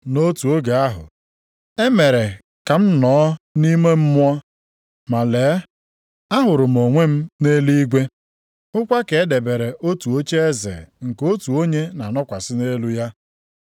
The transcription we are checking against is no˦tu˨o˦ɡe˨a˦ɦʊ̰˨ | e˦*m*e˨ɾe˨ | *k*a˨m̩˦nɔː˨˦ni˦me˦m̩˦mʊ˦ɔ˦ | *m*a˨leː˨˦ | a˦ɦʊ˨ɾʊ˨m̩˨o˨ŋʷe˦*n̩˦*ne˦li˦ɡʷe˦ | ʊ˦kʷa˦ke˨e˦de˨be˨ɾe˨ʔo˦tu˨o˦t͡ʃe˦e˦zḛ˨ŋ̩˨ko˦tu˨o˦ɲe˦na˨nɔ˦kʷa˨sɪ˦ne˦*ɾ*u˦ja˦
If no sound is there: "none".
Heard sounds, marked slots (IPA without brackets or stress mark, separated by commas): m, k, m, m̩˦, l